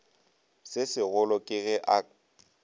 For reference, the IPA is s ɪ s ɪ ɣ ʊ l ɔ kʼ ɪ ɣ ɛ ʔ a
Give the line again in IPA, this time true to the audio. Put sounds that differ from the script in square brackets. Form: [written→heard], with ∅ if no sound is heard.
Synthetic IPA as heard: s ɪ s ɪ ɣ ʊ l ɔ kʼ ɪ ɣ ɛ ʔ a